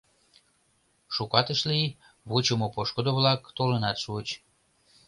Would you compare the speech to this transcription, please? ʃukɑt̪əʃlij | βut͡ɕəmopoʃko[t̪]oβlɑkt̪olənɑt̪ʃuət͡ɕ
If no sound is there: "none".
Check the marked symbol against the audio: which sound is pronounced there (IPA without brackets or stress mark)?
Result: d̪